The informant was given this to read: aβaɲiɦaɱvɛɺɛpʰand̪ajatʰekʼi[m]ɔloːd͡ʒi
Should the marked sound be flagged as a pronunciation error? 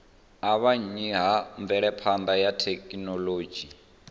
yes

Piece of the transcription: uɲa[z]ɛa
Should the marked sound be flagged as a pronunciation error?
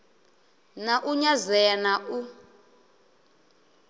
no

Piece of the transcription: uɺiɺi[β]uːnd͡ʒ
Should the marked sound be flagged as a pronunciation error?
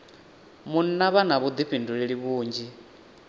no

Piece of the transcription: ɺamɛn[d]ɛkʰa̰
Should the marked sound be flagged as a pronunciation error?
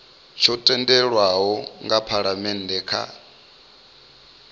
no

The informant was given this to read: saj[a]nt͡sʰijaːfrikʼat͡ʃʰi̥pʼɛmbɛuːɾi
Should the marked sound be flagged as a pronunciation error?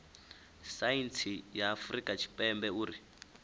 yes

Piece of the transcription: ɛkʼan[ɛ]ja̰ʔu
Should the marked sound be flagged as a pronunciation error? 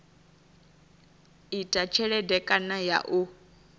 yes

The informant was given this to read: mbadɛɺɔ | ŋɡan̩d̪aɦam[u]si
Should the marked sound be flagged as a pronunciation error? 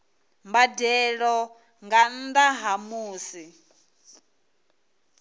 yes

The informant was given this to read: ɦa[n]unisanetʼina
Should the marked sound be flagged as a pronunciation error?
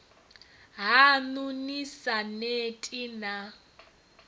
no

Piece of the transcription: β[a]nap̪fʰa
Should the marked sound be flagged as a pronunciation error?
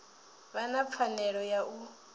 no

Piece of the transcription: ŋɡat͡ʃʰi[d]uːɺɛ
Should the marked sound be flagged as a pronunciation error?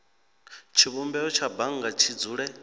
yes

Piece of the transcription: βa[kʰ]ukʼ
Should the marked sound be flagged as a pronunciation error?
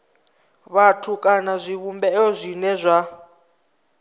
yes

